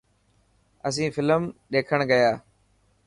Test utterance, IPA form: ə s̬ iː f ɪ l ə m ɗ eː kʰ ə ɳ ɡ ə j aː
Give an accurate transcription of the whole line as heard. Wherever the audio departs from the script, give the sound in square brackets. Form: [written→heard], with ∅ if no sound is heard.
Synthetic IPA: ə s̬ [iː→ĩː] f ɪ l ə m ɗ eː kʰ ə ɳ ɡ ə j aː